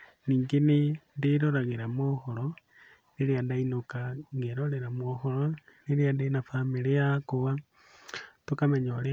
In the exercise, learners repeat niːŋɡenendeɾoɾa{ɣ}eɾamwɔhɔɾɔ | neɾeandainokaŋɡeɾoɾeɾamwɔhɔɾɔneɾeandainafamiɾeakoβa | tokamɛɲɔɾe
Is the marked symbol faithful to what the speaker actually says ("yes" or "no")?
yes